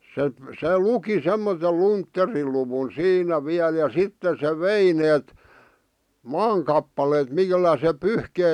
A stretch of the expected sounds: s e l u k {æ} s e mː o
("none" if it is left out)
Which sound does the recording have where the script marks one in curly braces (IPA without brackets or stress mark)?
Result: i